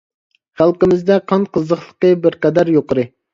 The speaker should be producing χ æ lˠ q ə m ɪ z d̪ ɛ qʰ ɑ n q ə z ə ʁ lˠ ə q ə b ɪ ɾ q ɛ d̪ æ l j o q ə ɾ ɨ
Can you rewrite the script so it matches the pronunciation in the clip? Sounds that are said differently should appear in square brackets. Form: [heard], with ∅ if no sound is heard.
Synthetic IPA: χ æ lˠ q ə m ɪ z d̪ ɛ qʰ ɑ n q ə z ə [χ] lˠ ə q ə b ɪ ɾ q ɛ d̪ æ [ɾ] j o q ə ɾ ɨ